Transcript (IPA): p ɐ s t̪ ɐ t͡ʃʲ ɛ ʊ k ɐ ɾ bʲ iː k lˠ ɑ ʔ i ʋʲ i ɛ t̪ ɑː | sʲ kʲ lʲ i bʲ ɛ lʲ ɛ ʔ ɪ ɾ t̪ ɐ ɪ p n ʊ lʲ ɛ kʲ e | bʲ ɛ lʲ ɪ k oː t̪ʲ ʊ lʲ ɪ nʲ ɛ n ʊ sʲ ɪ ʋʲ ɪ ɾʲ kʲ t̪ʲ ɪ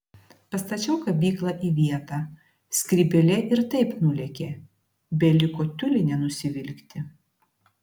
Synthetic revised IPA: p ɐ s t̪ ɐ t͡ʃʲ ɛ ʊ k ɐ bʲ iː k lˠ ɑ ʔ i ʋʲ i ɛ t̪ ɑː | sʲ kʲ ɾʲ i bʲ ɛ lʲ ɛ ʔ ɪ ɾ t̪ ɐ ɪ p n ʊ lʲ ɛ kʲ e | bʲ ɛ lʲ ɪ k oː t̪ʲ ʊ lʲ ɪ nʲ ɛ n ʊ sʲ ɪ ʋʲ ɪ lʲ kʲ t̪ʲ ɪ